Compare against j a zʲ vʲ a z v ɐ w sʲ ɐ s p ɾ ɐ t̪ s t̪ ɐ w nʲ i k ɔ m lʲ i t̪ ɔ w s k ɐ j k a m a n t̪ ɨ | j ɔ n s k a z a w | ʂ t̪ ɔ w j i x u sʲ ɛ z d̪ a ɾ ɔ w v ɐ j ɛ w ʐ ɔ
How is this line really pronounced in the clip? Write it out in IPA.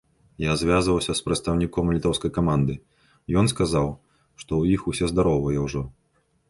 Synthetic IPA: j a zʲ vʲ a z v ɐ w sʲ ɐ s p ɾ ɐ t̪ s t̪ ɐ w nʲ i k ɔ m lʲ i t̪ ɔ w s k ɐ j k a m a n d̪ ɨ | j ɔ n s k a z a w | ʂ t̪ ɔ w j i x u sʲ ɛ z d̪ a ɾ ɔ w v ɐ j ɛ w ʐ ɔ